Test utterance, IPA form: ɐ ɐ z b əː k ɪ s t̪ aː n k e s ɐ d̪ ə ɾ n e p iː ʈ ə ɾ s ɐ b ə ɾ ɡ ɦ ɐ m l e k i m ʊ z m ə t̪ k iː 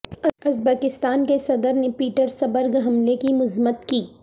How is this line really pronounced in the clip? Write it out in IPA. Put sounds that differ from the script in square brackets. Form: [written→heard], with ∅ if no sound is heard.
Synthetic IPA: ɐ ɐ z b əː k ɪ s t̪ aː n k e s ɐ d̪ ə ɾ n e p iː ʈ ə ɾ s ɐ b ə ɾ ɡ ɦ ɐ m l e k i m ʊ z m ə t̪ k iː